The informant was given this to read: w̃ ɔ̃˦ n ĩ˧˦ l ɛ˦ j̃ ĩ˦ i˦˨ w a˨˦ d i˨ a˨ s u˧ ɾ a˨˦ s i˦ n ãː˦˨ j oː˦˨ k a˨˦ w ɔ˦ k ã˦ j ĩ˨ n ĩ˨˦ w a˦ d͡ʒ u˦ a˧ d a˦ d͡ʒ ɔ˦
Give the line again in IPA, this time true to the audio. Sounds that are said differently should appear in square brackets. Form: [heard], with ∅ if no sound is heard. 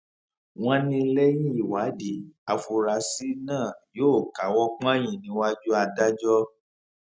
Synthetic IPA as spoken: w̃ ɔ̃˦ n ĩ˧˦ l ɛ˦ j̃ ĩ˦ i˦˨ w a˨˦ d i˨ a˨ [f] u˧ ɾ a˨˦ s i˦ n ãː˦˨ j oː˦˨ k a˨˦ w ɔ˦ [k͡p] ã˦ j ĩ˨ n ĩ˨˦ w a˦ d͡ʒ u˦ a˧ d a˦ d͡ʒ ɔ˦